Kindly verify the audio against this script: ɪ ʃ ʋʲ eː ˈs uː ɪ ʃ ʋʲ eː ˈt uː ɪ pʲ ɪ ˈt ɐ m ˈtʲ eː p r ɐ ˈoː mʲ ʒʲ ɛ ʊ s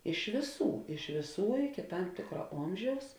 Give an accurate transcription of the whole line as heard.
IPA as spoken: ɪ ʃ ʋʲ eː ˈs uː ɪ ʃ ʋʲ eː ˈs uː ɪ kʲ ɪ ˈt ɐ m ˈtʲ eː k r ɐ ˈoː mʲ ʒʲ ɛ ʊ s